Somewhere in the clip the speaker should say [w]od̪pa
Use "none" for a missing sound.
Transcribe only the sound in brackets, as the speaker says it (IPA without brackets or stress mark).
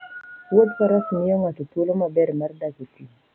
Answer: w